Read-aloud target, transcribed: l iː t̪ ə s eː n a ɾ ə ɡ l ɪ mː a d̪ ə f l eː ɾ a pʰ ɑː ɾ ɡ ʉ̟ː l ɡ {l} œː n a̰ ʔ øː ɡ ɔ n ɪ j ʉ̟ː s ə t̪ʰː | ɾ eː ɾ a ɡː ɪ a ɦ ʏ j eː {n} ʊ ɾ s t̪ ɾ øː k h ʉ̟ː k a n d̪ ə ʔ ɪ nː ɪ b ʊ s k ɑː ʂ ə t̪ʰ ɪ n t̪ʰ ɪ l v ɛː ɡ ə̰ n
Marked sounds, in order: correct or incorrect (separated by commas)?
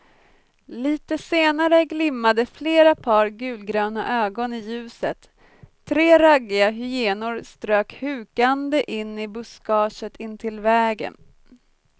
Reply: incorrect, correct